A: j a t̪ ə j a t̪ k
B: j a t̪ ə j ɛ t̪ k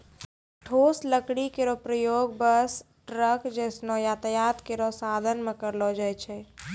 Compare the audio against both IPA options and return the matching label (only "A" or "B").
A